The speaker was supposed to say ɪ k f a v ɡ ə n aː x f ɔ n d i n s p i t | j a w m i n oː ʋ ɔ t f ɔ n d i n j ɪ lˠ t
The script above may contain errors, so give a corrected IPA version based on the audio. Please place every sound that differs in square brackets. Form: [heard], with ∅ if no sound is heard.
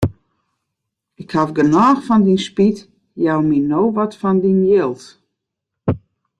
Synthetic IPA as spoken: ɪ k [h] a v ɡ ə n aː x f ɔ n d i n s p i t | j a w m i n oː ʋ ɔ t f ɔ n d i n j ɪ lˠ t